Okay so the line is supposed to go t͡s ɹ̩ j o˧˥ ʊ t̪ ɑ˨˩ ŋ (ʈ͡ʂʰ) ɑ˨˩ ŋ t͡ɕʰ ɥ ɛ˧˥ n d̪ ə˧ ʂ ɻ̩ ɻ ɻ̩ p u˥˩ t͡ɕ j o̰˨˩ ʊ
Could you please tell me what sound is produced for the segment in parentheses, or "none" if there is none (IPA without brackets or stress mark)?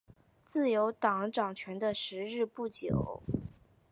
ʈ͡ʂ